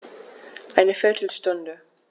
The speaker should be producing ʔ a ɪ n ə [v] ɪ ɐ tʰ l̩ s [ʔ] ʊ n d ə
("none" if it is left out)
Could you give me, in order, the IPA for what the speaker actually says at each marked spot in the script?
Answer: f, t

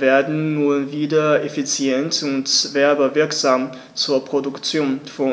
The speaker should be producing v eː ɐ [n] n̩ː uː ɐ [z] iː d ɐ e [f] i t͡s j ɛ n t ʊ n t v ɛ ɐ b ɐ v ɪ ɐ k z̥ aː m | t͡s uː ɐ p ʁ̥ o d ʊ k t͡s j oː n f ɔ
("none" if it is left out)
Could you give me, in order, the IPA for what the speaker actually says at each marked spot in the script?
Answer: d, v, f

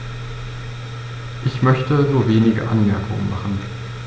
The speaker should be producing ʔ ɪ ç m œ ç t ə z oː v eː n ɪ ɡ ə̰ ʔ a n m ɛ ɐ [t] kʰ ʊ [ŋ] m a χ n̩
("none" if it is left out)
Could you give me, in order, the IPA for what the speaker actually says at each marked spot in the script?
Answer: none, ŋ

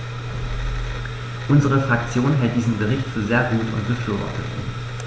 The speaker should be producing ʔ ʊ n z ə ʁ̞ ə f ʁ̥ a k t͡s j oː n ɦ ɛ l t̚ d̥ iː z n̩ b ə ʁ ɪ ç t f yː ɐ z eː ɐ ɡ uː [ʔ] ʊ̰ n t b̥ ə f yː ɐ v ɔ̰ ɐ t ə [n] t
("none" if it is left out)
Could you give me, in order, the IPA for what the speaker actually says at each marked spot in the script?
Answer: t, none

